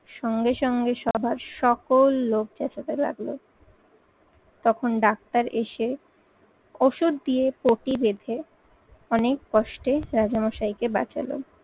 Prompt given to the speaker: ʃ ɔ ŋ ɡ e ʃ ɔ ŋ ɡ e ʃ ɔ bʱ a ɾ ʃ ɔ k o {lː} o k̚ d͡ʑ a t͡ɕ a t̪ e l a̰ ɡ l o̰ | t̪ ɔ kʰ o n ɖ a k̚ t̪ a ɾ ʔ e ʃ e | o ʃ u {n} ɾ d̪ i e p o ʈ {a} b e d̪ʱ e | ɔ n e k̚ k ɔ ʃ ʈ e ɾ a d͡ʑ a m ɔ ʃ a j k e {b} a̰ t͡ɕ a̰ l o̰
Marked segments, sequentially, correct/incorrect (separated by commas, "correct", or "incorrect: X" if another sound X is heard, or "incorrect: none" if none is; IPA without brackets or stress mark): correct, incorrect: none, incorrect: i, correct